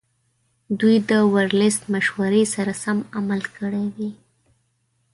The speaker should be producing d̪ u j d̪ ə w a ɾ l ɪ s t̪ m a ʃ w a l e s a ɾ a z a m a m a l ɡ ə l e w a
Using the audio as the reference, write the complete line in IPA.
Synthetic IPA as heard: d̪ u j d̪ ə w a ɾ l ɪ s t̪ m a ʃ w a ɾ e s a ɾ a s a m a m a l k ə ɽ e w i